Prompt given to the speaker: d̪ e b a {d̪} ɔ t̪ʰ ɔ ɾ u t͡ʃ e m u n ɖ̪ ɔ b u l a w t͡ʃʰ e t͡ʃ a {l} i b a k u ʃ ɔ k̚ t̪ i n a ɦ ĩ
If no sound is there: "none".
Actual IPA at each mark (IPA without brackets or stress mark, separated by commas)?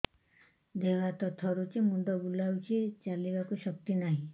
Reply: t̪, l